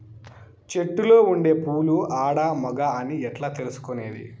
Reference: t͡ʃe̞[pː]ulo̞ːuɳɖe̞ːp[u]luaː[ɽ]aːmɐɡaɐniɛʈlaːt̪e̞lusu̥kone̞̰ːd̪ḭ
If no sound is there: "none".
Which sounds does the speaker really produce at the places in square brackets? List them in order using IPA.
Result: ʈː, uː, ɽ

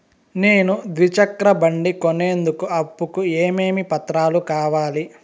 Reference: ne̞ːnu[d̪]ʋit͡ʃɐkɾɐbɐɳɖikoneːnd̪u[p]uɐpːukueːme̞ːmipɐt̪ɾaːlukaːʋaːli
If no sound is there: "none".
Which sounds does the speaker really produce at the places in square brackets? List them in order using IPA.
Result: d̪, k

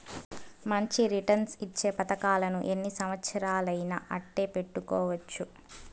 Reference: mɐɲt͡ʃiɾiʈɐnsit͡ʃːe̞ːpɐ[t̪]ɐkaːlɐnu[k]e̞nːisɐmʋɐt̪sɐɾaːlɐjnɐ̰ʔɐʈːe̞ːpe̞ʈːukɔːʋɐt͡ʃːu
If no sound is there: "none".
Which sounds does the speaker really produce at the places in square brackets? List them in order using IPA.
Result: t̪, ʔ

